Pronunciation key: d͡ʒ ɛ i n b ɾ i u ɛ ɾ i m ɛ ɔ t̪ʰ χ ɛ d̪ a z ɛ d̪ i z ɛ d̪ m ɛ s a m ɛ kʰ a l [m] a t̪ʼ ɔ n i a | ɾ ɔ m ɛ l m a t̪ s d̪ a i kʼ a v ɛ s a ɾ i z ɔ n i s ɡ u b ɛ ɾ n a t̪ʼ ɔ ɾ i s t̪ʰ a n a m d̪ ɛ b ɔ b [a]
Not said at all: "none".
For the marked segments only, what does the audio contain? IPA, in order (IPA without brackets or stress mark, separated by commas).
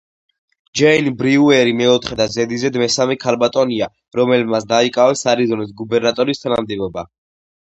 b, a